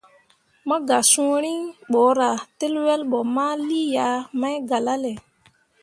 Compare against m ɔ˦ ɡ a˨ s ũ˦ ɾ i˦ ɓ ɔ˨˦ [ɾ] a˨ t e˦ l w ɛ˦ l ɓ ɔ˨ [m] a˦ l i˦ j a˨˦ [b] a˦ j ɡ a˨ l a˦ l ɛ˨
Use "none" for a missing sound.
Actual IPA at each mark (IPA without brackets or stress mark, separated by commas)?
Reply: ɾ, m, m